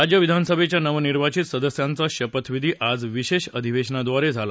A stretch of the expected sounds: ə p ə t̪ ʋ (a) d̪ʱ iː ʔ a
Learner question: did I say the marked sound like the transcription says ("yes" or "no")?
no